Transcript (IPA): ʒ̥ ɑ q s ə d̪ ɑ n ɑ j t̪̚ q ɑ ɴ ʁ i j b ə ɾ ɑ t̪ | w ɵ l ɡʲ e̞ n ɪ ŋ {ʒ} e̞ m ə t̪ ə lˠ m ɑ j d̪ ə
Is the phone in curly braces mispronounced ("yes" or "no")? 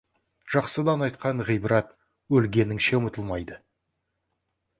yes